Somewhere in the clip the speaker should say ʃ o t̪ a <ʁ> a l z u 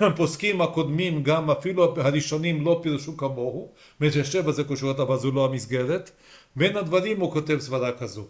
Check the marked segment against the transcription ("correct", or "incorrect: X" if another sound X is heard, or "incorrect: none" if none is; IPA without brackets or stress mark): incorrect: v